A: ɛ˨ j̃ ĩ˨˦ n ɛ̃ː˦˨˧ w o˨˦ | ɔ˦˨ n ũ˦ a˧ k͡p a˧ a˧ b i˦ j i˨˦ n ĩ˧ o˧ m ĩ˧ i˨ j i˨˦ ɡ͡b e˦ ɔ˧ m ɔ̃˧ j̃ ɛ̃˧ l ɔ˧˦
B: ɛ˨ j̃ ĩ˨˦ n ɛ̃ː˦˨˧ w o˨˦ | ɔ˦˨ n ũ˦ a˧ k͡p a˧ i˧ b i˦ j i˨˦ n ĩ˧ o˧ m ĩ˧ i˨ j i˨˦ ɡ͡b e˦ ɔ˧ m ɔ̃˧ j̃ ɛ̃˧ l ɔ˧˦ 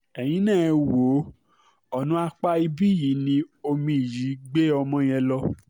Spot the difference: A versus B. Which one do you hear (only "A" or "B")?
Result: B